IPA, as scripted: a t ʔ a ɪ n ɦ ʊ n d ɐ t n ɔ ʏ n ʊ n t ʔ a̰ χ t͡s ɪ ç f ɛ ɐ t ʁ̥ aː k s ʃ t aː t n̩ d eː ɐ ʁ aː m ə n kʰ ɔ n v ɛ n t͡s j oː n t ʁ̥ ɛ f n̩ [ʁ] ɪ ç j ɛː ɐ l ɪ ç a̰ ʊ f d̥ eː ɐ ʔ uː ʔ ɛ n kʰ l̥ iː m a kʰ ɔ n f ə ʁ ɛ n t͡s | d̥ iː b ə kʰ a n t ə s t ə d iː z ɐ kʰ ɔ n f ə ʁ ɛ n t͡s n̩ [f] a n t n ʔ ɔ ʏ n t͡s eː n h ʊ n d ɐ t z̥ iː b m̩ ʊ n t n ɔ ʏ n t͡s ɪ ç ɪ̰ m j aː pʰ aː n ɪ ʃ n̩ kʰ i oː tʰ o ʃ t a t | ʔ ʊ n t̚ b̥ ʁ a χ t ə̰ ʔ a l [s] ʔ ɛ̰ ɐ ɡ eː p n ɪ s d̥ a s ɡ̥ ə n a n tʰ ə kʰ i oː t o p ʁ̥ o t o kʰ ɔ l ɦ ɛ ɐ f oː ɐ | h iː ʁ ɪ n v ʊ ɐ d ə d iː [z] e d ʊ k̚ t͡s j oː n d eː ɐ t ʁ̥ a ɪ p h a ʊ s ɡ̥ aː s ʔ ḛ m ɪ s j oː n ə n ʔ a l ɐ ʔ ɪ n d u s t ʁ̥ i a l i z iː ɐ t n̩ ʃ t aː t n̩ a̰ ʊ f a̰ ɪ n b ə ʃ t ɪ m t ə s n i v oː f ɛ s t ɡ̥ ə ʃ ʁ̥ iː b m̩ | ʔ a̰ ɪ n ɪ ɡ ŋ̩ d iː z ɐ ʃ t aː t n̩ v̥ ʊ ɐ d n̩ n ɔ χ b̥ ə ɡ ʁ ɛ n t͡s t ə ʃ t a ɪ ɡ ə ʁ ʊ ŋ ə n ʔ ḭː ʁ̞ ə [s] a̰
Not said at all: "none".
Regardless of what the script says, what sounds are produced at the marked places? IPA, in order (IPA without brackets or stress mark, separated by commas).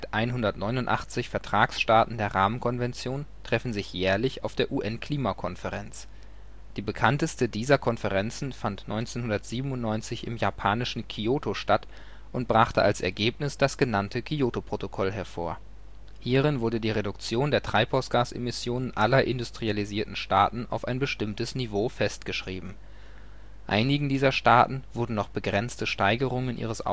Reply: z, f, s, ʁ, s